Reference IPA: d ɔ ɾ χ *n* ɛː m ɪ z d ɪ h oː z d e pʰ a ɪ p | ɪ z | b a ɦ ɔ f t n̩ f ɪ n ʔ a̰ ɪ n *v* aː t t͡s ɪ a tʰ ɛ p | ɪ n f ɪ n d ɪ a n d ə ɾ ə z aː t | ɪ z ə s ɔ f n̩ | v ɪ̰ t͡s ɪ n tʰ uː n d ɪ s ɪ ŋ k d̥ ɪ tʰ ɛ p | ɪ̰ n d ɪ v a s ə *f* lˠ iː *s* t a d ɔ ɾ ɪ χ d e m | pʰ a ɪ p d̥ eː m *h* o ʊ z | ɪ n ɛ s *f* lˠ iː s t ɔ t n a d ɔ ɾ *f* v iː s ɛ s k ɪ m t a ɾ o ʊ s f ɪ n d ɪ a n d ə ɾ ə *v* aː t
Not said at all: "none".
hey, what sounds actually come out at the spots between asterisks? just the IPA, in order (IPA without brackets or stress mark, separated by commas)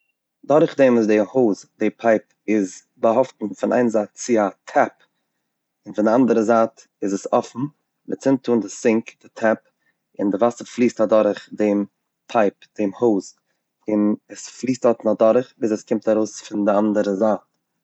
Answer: d, z, f, s, h, f, χ, z